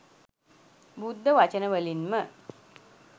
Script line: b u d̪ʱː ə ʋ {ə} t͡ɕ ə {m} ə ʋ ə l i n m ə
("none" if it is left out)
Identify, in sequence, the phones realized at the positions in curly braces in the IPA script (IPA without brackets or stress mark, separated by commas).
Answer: a, n